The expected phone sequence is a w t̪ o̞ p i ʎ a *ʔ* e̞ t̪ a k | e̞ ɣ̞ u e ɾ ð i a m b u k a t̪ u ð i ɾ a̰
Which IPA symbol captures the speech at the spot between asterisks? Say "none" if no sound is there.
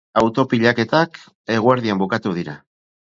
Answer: k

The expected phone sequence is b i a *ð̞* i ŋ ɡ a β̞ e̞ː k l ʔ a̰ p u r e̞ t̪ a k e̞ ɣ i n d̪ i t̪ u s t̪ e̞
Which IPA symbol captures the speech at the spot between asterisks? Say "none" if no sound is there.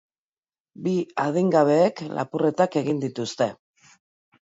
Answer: ð̞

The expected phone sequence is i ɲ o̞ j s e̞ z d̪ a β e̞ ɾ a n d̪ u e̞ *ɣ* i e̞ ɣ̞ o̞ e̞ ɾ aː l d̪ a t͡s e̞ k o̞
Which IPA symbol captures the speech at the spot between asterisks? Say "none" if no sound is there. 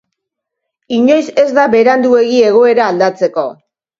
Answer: ɣ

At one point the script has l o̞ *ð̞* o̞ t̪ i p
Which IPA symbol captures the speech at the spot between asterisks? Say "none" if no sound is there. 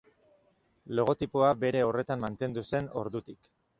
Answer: ɣ̞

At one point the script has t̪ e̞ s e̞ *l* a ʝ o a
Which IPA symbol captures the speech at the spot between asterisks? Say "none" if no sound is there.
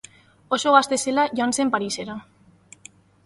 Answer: l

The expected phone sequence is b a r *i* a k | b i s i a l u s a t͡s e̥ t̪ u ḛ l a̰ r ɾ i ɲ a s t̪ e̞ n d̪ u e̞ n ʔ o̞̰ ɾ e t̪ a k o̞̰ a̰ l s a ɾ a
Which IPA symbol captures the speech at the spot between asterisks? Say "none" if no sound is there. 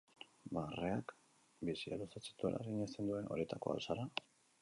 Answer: e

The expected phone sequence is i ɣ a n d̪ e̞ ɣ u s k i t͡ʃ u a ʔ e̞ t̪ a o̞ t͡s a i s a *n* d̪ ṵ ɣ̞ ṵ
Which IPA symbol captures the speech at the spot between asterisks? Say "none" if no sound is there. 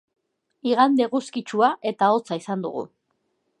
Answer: n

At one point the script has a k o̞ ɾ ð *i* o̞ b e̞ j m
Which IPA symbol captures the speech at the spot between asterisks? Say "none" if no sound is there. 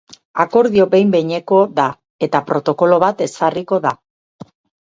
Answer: i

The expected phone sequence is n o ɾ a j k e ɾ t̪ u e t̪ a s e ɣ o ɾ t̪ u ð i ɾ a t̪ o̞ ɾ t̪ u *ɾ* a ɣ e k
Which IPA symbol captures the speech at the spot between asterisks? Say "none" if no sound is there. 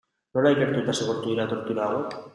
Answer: ɾ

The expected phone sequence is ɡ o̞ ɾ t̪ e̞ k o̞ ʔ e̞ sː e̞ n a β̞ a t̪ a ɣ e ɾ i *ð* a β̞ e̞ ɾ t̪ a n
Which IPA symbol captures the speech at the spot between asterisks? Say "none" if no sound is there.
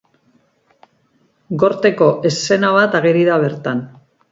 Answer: ð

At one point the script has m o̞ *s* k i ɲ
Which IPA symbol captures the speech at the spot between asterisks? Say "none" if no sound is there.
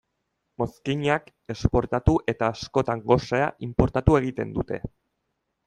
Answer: s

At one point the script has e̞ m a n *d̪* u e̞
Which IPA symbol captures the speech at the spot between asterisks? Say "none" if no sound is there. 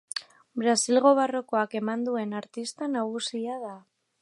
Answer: d̪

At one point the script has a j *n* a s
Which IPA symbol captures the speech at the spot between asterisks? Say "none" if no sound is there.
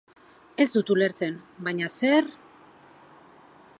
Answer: ɲ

